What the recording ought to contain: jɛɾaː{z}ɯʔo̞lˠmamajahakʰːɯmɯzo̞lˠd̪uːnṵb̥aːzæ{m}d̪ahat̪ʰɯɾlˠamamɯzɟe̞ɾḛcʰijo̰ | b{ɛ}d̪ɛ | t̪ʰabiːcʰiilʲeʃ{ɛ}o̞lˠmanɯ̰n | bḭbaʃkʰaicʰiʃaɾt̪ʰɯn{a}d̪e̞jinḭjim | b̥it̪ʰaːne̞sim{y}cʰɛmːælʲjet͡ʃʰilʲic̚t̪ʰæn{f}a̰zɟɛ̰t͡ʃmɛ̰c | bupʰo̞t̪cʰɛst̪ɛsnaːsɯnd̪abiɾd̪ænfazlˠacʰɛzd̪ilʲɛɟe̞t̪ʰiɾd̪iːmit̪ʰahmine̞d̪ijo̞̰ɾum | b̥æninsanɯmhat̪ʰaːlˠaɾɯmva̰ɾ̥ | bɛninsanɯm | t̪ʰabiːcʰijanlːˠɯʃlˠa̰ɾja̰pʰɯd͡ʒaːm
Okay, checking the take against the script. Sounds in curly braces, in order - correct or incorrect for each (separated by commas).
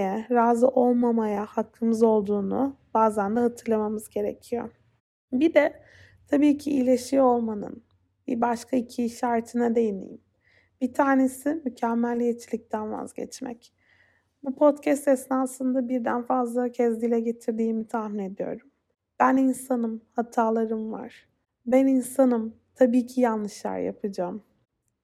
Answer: correct, incorrect, incorrect, incorrect, correct, correct, incorrect